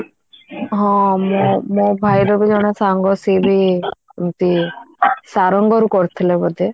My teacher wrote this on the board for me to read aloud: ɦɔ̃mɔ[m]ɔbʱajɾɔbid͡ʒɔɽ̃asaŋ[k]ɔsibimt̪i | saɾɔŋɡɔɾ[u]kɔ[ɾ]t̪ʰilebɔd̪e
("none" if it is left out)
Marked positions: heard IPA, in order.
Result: m, ɡ, u, ɾ

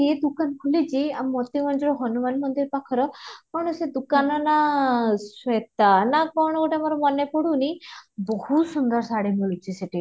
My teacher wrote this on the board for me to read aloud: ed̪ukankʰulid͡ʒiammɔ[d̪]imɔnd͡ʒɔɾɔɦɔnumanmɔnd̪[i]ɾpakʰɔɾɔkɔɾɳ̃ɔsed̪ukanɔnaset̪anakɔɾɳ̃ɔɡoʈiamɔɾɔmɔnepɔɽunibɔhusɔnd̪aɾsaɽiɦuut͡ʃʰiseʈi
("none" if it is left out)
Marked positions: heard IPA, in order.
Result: t̪, i

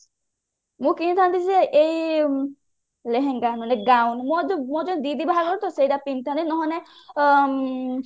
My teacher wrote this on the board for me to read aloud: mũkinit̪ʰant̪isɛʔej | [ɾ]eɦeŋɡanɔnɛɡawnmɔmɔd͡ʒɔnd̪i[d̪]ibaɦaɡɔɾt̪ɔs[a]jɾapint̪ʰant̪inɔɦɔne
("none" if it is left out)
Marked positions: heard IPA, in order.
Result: l, d̪, e

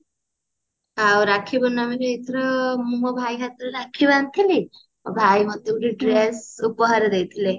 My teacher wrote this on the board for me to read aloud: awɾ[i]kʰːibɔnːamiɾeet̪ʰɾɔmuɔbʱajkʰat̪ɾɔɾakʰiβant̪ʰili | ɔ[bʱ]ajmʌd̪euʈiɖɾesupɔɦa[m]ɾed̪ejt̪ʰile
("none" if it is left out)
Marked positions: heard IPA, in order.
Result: a, bʱ, none

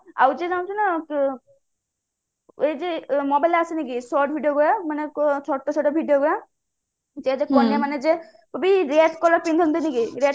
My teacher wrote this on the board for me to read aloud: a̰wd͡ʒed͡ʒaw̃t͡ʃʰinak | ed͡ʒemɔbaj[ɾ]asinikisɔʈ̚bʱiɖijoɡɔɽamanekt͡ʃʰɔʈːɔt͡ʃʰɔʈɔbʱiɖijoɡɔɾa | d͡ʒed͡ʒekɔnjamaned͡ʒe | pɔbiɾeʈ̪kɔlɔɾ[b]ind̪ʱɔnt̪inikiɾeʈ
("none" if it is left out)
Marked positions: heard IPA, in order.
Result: l, p

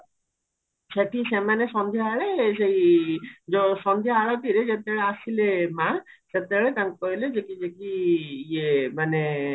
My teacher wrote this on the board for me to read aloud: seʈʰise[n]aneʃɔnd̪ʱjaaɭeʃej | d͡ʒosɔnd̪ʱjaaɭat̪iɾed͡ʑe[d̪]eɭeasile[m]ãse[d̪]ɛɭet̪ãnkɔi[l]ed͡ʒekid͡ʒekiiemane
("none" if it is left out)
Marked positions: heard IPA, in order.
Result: m, t̪, m, t̪, l

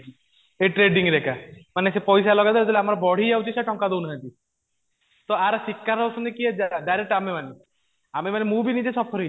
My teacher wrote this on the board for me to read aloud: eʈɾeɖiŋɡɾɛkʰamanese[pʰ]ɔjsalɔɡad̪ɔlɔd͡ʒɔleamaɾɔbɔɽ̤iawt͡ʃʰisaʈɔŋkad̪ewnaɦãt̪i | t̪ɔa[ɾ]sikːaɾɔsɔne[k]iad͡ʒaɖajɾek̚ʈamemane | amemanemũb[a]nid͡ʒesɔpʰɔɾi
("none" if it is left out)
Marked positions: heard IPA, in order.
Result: p, ɾ, k, i

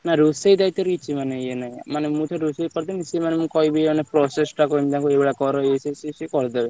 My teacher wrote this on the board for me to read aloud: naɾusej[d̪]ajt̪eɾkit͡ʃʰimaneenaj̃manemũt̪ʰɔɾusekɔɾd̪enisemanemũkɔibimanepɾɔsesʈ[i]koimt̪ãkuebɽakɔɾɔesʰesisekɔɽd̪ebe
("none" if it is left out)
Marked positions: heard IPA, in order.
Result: d̪, a

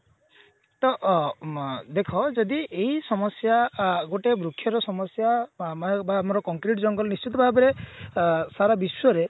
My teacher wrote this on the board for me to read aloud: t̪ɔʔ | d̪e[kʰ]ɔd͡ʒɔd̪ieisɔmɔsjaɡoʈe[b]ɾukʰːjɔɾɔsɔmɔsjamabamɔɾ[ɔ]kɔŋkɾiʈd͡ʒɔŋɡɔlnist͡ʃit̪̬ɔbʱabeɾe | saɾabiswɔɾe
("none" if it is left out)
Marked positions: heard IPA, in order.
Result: kʰ, b, ɔ

